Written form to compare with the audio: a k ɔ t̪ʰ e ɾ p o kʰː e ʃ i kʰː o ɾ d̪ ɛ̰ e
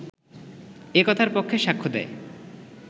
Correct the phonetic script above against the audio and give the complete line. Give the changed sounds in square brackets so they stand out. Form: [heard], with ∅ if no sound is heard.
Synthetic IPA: [e] k ɔ t̪ʰ [a] ɾ p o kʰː e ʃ [a] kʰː o [∅] d̪ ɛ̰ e

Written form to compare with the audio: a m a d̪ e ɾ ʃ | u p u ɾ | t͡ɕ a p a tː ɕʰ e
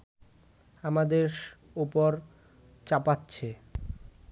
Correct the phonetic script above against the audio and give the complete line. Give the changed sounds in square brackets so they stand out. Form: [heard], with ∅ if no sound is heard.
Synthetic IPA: a m a d̪ e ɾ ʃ | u p [o] ɾ | t͡ɕ a p a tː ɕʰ e

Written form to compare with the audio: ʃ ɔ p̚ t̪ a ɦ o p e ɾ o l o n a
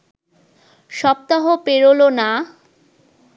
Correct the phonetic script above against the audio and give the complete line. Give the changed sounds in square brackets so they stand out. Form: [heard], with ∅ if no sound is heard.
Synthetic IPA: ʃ ɔ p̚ t̪ a ɦ o p e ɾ o l o n a

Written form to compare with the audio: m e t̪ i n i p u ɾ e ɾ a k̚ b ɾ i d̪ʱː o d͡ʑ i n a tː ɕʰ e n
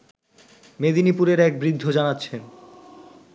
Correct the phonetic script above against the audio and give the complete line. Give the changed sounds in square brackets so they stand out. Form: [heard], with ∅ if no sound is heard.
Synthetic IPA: m e [d̪] i n i p u ɾ e ɾ [ɛ] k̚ b ɾ i d̪ʱː o d͡ʑ [a] n a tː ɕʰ e n

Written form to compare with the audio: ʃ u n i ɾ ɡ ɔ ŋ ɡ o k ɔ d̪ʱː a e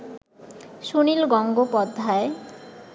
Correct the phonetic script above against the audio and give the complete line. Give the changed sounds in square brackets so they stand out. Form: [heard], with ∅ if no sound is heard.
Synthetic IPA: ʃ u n i [l] ɡ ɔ ŋ ɡ o [p] ɔ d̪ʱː a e

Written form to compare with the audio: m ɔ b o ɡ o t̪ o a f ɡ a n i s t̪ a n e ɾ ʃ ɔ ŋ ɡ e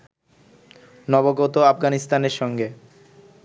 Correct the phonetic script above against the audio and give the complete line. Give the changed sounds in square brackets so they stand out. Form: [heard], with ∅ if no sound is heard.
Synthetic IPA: [n] ɔ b o ɡ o t̪ o a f ɡ a n i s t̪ a n e ɾ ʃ ɔ ŋ ɡ e

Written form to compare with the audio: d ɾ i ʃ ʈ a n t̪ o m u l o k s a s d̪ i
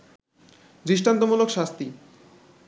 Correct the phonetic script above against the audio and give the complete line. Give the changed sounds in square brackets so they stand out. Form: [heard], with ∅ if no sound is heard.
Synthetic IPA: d ɾ i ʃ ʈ a n t̪ o m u l o k [ʃ] a s [t̪] i

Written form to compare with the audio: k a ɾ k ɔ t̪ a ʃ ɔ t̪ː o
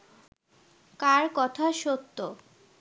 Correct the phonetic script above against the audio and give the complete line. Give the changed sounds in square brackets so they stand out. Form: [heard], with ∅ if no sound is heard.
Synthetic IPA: k a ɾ k ɔ [t̪ʰ] a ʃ [o] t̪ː o

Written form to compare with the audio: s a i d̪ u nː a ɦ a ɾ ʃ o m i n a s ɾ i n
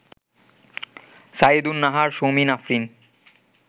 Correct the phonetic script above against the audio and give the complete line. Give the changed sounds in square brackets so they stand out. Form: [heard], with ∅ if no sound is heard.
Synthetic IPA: s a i d̪ u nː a ɦ a ɾ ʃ o m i n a [f] ɾ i n

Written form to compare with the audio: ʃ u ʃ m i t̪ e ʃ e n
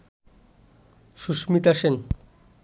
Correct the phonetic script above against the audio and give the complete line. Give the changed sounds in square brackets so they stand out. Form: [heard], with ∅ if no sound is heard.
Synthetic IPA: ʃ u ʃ m i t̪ [a] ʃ e n

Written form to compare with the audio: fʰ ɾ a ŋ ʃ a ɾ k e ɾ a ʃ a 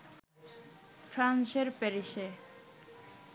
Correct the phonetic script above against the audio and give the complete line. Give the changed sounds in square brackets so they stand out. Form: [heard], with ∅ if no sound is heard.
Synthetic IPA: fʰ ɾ a [n] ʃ [e] ɾ [p] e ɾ [i] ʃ [e]

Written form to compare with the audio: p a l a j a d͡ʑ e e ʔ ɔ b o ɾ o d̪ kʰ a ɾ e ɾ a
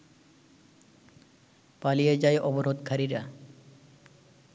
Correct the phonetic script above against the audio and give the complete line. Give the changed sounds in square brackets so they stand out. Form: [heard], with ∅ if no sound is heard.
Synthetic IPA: p a l [i] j [e] d͡ʑ [a] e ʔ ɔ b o ɾ o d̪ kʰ a ɾ [i] ɾ a

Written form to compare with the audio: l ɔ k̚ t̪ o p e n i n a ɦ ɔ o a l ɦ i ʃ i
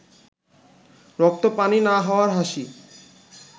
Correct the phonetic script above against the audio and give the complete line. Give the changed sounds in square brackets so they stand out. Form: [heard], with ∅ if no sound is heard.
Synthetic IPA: [ɾ] ɔ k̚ t̪ o p [a] n i n a ɦ ɔ o a [ɾ] ɦ [a] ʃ i

